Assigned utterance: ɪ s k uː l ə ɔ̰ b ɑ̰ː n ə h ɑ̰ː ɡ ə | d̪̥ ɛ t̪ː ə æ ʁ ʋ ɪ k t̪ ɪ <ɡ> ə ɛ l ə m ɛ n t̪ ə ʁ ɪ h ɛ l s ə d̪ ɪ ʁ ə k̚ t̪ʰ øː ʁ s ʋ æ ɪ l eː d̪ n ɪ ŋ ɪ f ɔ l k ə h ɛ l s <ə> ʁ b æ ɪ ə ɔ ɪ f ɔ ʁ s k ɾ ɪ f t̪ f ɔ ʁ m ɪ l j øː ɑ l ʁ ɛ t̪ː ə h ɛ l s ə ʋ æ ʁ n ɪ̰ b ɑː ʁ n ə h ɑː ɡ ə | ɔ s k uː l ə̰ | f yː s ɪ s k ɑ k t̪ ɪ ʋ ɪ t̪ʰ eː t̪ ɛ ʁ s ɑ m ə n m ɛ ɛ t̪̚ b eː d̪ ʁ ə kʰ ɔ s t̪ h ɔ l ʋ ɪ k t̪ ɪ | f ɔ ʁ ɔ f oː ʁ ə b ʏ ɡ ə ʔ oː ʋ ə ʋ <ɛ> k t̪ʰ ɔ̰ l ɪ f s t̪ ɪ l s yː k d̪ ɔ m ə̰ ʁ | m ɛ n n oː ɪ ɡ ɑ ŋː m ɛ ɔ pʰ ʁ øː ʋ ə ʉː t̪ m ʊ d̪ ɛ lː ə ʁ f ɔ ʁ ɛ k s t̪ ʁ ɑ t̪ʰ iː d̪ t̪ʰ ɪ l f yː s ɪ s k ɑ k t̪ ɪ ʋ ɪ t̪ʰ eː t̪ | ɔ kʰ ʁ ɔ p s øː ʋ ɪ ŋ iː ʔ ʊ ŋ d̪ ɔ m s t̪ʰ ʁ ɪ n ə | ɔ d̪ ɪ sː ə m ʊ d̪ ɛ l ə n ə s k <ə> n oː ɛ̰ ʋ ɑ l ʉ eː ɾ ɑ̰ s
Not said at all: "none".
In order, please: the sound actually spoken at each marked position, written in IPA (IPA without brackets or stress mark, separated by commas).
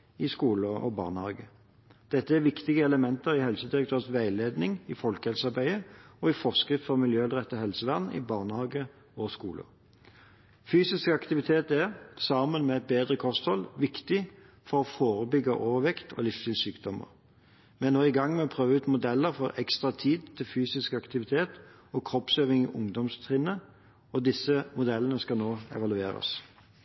ɡ, ɑ, ɛ, ɑ